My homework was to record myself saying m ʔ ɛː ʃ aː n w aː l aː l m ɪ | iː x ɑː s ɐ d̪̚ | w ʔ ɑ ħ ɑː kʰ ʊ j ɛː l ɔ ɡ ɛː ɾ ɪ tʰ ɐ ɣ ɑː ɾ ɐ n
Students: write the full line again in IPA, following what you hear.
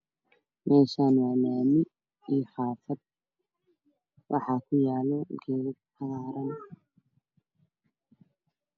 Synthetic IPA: m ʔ ɛː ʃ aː n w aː l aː m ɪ | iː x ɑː f ɐ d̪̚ | w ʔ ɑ ħ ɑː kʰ ʊ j aː l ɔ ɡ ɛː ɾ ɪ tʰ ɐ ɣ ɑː ɾ ɐ n